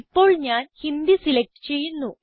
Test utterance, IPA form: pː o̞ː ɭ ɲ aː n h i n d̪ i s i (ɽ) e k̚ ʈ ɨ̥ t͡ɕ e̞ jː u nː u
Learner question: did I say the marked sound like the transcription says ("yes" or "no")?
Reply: no